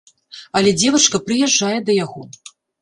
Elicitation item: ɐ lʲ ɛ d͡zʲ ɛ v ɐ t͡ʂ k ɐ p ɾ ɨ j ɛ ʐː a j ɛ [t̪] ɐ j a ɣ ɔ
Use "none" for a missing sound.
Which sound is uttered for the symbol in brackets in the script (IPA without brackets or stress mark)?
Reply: d̪